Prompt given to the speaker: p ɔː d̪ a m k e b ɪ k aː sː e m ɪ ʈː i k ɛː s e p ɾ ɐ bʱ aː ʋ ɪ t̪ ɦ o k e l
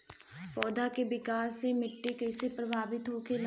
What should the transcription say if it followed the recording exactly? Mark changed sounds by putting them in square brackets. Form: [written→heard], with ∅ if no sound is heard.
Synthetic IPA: p ɔː d̪ a [m→∅] k e b ɪ k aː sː e m ɪ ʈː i k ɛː s e p ɾ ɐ bʱ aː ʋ ɪ t̪ ɦ o k e l